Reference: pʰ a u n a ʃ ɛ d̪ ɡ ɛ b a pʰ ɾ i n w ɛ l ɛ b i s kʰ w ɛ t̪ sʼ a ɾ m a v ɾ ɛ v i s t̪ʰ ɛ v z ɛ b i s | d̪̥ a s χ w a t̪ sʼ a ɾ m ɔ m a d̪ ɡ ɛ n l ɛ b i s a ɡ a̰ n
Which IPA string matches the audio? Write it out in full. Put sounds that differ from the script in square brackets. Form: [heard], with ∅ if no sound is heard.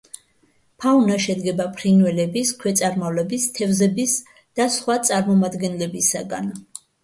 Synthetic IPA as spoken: pʰ a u n a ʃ ɛ d̪ ɡ ɛ b a pʰ ɾ i n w ɛ l ɛ b i s kʰ w ɛ t̪ sʼ a ɾ m a v [l] ɛ [b] i s t̪ʰ ɛ v z ɛ b i s | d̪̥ a s χ w a t̪ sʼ a ɾ m ɔ m a d̪ ɡ ɛ n l ɛ b i s a ɡ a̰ n